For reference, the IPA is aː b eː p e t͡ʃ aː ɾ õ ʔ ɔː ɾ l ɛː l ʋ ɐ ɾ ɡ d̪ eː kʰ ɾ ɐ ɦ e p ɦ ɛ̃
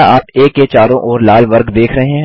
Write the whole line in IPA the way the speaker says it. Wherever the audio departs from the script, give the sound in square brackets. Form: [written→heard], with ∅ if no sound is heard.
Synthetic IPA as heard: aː [b→p] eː [p→k] e t͡ʃ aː ɾ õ ʔ ɔː ɾ l [ɛː→aː] l ʋ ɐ ɾ ɡ d̪ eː kʰ ɾ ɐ ɦ e [p→∅] ɦ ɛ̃